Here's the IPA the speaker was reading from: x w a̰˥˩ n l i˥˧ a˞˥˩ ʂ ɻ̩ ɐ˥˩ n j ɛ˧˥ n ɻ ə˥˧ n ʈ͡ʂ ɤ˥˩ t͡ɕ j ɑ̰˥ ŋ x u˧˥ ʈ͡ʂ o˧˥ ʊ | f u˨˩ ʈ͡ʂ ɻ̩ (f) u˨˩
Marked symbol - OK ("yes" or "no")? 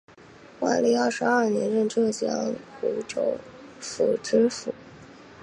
yes